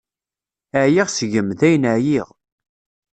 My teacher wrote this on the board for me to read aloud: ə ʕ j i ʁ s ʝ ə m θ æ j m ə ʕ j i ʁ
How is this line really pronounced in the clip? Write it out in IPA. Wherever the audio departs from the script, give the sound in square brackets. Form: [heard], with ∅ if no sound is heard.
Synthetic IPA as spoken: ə ʕ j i ʁ s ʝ ə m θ æ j [n] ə ʕ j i ʁ